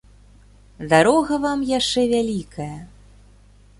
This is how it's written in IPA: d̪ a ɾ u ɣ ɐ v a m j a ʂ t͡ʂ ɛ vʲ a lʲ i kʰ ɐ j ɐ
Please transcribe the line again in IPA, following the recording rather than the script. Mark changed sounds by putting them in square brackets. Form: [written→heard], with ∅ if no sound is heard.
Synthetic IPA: d̪ a ɾ [u→ɔ] ɣ ɐ v a m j a ʂ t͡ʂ ɛ vʲ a lʲ i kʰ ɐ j ɐ